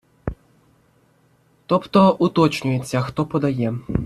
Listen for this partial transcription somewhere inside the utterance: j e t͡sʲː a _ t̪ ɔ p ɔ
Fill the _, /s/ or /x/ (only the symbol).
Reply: x